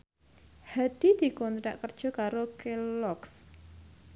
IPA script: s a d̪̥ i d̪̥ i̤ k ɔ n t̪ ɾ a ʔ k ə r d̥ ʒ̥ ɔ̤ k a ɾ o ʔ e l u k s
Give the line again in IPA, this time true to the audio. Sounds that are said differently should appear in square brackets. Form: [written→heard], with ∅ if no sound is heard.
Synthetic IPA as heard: [s→h] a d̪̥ i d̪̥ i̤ k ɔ n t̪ ɾ a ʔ k ə r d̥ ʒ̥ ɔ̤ k a ɾ o [ʔ→k] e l [u→ɔ] k s